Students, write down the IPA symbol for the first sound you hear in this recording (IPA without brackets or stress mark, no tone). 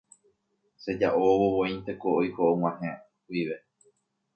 s